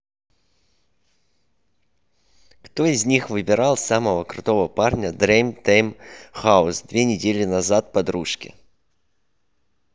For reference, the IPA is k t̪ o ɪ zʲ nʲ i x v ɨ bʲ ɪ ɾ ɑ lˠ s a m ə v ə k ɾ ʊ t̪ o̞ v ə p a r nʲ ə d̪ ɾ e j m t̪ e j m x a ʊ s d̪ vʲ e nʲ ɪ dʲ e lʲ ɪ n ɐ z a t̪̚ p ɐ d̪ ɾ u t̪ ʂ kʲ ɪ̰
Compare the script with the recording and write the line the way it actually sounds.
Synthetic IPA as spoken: k t̪ o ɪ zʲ nʲ i x v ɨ bʲ ɪ ɾ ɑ lˠ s a m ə v ə k ɾ ʊ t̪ o̞ v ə p a r nʲ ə d̪ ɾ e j m t̪ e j m x a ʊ s d̪ vʲ e nʲ ɪ dʲ e lʲ ɪ n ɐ z a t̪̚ p ɐ d̪ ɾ u ʂ kʲ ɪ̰